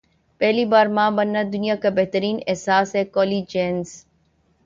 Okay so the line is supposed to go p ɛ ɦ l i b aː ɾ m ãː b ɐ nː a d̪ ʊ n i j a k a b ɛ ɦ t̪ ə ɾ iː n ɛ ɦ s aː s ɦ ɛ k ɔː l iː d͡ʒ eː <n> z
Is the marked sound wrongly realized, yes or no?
no